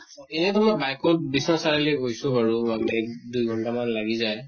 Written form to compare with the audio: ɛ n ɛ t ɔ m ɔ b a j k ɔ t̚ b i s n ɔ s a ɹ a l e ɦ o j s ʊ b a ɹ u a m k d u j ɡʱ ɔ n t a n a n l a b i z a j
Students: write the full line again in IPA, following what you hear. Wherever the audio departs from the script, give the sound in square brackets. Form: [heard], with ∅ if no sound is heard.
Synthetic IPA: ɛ n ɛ t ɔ m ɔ b a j k ɔ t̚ b i s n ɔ s a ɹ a l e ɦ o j s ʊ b a ɹ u a m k d u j ɡʱ ɔ n t a [m] a n l a [ɡ] i z a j